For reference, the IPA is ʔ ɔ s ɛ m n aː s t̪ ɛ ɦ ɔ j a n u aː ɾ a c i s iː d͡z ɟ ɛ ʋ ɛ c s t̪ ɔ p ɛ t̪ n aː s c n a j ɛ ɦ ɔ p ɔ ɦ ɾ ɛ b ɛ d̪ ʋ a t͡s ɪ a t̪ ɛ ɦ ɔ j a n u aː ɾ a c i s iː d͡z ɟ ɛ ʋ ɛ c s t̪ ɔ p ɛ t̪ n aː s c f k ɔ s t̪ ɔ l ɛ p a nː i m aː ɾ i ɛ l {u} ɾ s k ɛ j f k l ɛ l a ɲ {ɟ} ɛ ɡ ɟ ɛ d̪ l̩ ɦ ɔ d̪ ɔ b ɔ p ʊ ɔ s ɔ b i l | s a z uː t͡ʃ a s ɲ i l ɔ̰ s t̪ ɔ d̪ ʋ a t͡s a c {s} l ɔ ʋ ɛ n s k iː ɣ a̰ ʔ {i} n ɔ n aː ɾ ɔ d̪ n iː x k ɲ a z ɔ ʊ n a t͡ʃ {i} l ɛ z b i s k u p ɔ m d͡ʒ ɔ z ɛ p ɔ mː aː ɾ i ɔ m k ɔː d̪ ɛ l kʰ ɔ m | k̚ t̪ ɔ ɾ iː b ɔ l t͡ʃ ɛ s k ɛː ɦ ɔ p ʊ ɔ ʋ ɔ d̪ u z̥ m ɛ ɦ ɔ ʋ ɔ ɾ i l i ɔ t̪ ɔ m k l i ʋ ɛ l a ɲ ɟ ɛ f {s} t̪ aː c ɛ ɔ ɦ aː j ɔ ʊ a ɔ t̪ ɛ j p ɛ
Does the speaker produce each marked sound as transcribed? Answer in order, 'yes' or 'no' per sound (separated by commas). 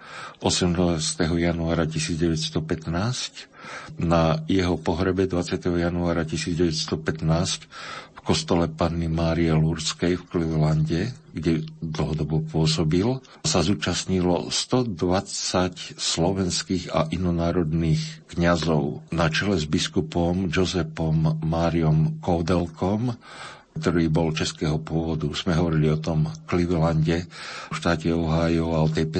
yes, yes, yes, yes, no, no